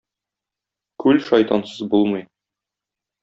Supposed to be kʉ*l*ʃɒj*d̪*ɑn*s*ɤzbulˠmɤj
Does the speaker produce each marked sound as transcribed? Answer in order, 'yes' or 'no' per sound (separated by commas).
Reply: yes, no, yes